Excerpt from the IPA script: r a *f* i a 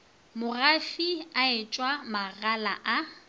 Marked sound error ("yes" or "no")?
no